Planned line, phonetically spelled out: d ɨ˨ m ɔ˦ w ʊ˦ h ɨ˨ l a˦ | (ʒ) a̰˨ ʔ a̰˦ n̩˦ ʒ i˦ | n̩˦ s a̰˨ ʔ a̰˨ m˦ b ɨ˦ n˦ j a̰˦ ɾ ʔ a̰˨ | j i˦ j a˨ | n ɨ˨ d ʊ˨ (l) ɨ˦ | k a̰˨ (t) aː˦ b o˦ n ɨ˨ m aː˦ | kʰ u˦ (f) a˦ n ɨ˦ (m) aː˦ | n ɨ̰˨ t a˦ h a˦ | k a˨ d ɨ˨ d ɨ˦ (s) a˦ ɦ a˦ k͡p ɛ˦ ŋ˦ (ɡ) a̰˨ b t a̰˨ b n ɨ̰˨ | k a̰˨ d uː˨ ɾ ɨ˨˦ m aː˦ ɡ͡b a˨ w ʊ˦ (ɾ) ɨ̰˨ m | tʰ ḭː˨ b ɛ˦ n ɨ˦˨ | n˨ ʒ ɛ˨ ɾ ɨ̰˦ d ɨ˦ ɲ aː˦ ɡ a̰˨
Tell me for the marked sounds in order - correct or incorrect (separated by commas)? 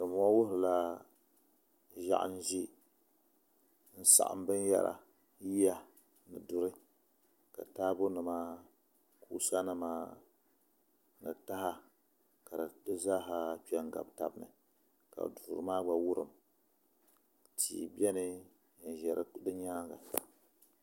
correct, incorrect, correct, incorrect, correct, incorrect, correct, correct